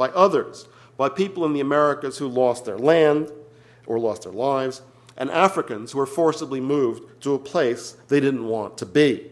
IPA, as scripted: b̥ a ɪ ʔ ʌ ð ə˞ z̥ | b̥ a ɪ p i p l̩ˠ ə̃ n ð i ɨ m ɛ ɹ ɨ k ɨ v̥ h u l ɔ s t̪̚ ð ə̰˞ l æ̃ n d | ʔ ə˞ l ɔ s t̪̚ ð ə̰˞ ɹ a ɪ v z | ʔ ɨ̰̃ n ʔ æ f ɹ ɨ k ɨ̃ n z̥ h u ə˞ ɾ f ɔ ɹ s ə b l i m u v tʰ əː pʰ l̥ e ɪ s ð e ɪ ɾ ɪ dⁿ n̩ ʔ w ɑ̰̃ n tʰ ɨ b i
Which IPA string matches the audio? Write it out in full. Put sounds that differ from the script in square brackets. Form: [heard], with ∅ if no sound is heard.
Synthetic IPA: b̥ a ɪ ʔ ʌ ð ə˞ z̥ | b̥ a ɪ p i p l̩ˠ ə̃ n ð i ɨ m ɛ ɹ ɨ k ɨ [z̥] h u l ɔ s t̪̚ ð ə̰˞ l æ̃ n d | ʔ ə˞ l ɔ s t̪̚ ð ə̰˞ [l] a ɪ v z | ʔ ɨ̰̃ n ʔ æ f ɹ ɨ k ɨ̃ n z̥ h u ə˞ [∅] f ɔ ɹ s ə b l i m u v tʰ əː pʰ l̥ e ɪ s ð e ɪ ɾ ɪ dⁿ n̩ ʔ w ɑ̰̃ n tʰ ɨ b i